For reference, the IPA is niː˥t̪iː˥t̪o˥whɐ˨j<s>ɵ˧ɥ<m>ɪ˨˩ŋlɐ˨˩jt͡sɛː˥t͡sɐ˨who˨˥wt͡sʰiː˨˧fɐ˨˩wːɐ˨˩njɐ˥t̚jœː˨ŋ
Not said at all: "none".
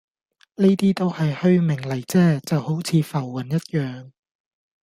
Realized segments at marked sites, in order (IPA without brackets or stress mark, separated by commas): h, m